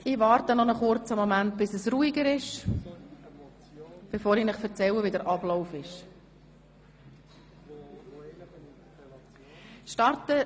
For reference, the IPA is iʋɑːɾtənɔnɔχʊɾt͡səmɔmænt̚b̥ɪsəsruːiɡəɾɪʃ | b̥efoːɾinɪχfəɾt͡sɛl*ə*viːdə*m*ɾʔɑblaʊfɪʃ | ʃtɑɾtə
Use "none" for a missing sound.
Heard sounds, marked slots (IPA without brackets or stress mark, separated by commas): ə, none